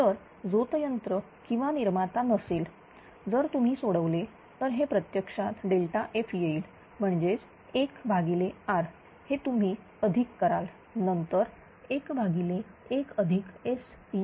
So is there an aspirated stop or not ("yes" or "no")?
no